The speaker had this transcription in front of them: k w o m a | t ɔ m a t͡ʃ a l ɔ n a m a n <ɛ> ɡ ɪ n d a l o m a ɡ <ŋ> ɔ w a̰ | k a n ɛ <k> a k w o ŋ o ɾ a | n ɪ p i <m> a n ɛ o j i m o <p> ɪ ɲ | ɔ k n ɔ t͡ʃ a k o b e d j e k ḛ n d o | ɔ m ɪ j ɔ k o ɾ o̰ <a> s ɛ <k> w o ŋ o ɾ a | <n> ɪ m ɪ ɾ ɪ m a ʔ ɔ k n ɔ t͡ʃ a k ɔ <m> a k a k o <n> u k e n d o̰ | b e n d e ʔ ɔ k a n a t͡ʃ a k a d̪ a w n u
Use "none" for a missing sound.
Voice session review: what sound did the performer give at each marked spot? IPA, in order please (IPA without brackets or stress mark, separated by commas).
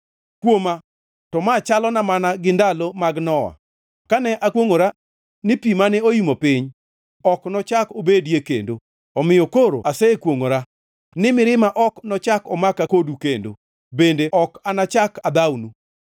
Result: a, n, ʔ, m, p, a, k, n, m, d